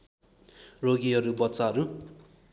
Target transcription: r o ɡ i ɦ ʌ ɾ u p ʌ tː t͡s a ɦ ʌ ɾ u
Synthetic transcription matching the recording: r o ɡ i ɦ ʌ ɾ u b ʌ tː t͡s a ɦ ʌ ɾ u